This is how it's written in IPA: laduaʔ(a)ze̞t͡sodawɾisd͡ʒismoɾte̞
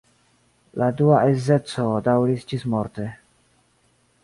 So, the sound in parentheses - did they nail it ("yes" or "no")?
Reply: no